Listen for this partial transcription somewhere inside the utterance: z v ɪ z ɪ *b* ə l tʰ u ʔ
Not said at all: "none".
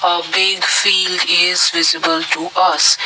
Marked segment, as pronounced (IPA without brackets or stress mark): b